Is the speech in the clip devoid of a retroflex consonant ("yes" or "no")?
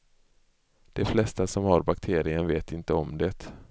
yes